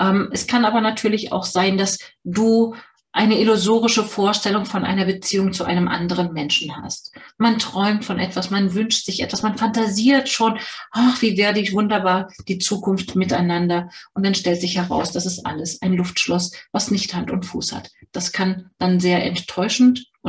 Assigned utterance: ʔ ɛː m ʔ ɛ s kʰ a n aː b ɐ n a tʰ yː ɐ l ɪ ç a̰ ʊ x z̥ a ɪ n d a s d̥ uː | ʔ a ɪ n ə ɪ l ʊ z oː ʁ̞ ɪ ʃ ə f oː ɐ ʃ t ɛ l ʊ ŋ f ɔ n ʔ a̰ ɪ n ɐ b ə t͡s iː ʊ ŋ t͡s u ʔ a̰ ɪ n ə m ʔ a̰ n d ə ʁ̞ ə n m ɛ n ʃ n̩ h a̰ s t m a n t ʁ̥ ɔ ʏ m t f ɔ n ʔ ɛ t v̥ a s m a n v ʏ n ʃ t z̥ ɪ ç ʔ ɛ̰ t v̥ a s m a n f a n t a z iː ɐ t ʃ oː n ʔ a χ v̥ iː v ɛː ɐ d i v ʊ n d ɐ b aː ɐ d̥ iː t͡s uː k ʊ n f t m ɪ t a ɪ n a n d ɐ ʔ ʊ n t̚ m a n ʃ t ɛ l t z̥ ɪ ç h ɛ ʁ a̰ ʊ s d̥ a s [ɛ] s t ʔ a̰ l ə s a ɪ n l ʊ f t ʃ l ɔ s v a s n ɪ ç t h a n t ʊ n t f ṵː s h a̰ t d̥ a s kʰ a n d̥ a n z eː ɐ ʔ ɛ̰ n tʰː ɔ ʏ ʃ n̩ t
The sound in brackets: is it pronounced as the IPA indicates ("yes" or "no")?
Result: yes